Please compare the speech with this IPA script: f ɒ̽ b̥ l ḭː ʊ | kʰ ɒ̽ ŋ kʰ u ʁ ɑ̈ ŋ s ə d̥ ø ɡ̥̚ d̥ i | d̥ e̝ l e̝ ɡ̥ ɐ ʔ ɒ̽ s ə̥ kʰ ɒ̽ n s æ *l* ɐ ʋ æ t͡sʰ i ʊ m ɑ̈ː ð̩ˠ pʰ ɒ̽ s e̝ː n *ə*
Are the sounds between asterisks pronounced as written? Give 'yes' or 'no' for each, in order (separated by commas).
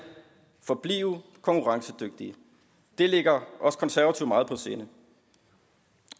no, yes